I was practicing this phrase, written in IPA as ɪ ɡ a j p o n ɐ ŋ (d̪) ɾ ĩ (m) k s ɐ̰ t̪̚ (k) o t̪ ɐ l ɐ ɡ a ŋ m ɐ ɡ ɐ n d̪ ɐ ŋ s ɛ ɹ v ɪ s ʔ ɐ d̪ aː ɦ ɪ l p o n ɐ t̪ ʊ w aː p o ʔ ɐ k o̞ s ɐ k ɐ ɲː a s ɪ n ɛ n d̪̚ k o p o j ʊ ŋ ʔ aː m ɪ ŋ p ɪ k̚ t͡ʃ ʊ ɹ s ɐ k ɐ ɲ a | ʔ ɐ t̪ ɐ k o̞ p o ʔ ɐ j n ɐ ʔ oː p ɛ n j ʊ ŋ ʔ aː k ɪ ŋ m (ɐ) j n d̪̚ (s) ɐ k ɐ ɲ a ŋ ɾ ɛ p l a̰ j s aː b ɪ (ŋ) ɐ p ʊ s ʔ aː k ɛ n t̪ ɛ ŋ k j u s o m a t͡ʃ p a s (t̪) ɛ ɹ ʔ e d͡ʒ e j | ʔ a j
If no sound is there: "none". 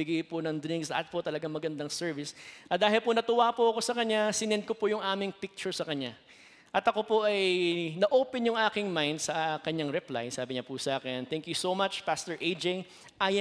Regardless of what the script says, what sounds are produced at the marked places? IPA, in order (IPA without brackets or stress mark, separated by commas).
d̪, ŋ, p, a, s, ɲ, t̪